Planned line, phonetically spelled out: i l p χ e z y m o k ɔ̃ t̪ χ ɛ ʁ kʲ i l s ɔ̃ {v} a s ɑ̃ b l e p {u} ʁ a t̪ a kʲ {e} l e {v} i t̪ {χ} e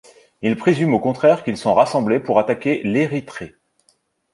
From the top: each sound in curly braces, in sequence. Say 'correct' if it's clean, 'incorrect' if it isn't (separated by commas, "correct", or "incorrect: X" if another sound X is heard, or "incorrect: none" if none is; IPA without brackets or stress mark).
incorrect: ʁ, correct, correct, incorrect: ʁ, correct